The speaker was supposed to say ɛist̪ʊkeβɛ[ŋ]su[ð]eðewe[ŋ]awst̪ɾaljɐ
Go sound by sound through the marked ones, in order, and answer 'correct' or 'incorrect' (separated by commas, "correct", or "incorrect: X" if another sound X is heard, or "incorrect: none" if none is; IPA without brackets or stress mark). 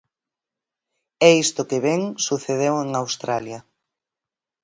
correct, incorrect: θ, correct